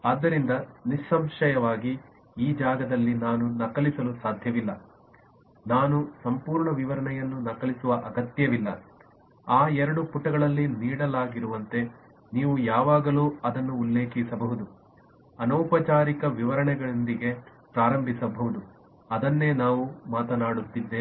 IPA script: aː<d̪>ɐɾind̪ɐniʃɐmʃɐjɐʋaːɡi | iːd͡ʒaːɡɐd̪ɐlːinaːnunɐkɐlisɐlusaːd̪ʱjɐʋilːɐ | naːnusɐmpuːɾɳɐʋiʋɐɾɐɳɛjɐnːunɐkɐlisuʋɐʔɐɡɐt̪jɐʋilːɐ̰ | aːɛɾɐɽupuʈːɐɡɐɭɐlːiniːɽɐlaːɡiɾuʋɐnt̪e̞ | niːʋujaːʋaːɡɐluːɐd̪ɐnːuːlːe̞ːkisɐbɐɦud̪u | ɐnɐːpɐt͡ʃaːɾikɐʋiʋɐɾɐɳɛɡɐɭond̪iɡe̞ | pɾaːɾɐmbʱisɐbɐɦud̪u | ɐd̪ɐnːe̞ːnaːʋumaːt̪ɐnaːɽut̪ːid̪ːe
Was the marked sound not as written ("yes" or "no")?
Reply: yes